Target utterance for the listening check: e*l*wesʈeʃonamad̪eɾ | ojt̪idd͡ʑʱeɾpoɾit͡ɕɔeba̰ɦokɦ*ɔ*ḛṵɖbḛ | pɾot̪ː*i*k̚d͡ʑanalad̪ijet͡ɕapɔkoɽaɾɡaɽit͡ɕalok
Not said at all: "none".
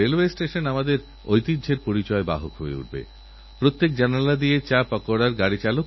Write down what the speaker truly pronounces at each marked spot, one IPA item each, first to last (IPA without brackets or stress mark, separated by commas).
l, o, e